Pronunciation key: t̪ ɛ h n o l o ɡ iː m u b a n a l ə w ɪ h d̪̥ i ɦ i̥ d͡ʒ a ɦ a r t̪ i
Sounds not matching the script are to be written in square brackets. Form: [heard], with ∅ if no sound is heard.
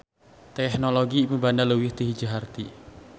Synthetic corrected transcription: t̪ ɛ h n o l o ɡ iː m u b a n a l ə w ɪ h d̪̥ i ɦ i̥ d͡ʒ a ɦ a r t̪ i

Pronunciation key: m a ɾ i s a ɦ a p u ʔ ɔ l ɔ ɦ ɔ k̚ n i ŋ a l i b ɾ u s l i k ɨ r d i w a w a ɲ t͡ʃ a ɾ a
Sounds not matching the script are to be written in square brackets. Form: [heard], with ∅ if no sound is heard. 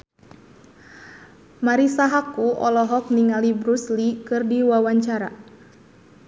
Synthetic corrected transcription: m a ɾ i s a ɦ a [k] u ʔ ɔ l ɔ ɦ ɔ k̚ n i ŋ a l i b ɾ u s l i k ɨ r d i w a w a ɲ t͡ʃ a ɾ a

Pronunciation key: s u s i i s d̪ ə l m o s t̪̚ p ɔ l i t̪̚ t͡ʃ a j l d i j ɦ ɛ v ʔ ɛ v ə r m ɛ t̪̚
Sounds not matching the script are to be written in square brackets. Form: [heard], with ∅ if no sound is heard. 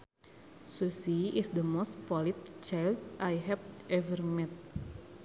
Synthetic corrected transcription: s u s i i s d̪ ə [∅] m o s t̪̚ p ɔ l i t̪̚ t͡ʃ a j l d [a] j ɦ ɛ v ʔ ɛ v ə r m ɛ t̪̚

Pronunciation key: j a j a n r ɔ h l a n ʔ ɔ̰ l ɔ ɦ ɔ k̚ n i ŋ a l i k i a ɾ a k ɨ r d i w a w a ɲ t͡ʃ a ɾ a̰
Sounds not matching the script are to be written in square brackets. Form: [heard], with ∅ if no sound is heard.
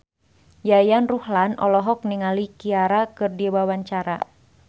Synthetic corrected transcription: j a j a n r [u] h l a n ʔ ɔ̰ l ɔ ɦ ɔ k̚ n i ŋ a l i k i a ɾ a k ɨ r d i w a w a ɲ t͡ʃ a ɾ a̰

